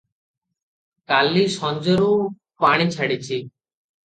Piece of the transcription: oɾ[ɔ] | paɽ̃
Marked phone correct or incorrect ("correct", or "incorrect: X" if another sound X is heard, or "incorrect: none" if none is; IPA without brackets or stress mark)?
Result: incorrect: u